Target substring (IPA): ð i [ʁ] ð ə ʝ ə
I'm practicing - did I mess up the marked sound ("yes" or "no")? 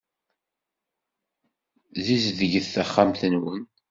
yes